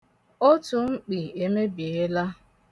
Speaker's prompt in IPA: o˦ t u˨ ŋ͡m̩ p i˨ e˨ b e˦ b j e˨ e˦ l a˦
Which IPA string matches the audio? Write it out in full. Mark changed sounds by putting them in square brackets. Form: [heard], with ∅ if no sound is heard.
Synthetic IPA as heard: o˦ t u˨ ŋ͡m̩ [k͡p] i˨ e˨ [m] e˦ b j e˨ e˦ l a˦